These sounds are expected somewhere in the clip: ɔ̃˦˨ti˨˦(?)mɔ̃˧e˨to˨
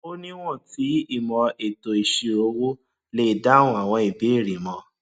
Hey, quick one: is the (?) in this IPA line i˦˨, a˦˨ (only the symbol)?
i˦˨